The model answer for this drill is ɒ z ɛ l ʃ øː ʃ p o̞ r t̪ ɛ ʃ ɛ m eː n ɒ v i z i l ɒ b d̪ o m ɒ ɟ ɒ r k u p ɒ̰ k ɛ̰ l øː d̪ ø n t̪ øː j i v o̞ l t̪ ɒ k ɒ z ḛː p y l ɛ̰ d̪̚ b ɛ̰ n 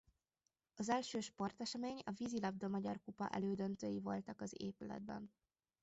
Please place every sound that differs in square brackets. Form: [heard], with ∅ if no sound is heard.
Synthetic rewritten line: ɒ z ɛ l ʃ øː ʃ p o̞ r t̪ ɛ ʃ ɛ m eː [ɲ] ɒ v i z i l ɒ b d̪ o m ɒ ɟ ɒ r k u p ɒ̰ [ʔ] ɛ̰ l øː d̪ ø n t̪ øː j i v o̞ l t̪ ɒ k ɒ z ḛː p y l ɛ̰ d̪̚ b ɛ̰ n